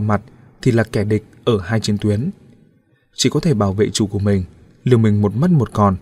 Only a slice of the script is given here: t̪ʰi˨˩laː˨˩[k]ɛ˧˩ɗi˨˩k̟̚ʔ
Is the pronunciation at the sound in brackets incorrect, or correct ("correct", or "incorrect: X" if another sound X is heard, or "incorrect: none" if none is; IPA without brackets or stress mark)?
correct